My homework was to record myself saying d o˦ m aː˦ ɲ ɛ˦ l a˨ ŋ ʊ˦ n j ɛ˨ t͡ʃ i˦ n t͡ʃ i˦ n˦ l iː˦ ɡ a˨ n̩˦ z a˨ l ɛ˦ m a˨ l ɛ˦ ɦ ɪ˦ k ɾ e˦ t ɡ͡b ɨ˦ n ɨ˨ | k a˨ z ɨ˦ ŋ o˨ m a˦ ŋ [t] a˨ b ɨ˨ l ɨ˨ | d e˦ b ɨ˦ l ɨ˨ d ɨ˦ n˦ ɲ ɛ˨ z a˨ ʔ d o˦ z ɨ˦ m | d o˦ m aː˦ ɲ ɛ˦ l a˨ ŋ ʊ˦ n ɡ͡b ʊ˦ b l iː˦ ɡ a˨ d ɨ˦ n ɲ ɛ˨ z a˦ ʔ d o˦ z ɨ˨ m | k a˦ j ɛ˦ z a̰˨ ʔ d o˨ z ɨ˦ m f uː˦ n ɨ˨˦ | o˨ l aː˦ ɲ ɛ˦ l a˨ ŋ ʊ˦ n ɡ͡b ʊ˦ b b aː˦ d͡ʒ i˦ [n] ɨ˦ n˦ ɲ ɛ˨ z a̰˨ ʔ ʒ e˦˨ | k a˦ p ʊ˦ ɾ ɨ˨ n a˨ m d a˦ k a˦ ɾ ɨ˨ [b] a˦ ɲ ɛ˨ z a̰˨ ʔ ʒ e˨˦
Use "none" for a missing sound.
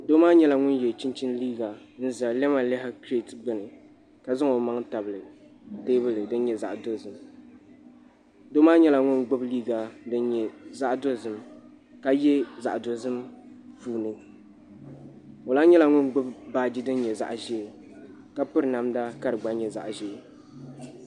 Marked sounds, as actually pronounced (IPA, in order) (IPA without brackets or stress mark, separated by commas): t, d, ɡ͡b